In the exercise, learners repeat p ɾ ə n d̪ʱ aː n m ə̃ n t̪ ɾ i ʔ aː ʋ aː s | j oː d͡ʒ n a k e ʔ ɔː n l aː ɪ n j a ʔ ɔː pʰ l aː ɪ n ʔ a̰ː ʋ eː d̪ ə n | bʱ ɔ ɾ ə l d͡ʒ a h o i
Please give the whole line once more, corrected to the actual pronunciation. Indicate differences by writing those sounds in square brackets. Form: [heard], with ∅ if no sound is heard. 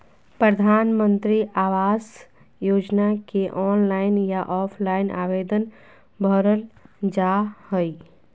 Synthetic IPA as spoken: p ɾ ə [∅] d̪ʱ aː n m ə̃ n t̪ ɾ i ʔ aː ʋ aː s | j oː d͡ʒ n a k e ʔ ɔː n l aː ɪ n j a ʔ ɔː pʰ l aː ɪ n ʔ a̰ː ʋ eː d̪ ə n | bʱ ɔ ɾ ə l d͡ʒ a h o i